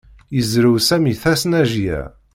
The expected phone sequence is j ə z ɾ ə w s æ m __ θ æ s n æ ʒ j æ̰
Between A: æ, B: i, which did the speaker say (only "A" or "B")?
B